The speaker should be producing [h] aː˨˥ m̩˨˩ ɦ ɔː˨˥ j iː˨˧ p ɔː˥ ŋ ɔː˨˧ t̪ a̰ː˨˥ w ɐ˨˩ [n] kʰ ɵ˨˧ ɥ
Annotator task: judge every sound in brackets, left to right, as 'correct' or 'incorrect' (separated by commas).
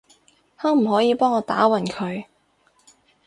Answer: correct, correct